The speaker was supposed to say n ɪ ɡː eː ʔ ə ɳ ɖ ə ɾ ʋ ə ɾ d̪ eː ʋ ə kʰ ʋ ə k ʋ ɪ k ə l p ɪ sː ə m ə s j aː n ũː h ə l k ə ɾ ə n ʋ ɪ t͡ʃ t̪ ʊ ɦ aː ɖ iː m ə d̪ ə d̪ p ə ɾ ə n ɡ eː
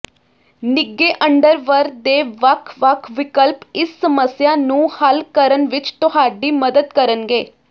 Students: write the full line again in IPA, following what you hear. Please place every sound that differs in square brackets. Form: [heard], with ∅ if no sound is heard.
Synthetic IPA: n ɪ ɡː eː ʔ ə ɳ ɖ ə ɾ ʋ ə ɾ d̪ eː ʋ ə kʰ ʋ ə [kʰ] ʋ ɪ k ə l p ɪ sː ə m ə s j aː n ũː h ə l k ə ɾ ə n ʋ ɪ t͡ʃ t̪ ʊ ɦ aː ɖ iː m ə d̪ ə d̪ [k] ə ɾ ə n ɡ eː